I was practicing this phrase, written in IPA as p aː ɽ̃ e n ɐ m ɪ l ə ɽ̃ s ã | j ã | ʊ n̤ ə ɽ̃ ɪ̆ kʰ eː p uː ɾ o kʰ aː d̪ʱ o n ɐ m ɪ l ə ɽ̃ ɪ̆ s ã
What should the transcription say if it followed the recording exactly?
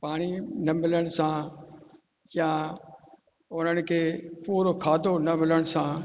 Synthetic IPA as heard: p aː ɽ̃ i n ɐ m ɪ l ə ɽ̃ s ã | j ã | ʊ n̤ ə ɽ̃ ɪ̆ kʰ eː p uː ɾ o kʰ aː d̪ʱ o n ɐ m ɪ l ə ɽ̃ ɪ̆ s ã